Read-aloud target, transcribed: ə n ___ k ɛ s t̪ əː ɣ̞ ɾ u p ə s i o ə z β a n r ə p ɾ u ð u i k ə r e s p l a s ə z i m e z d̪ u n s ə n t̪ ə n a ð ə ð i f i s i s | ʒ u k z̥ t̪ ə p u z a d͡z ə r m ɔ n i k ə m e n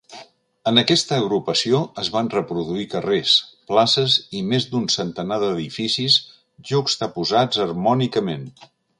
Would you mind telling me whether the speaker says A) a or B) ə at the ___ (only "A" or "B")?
B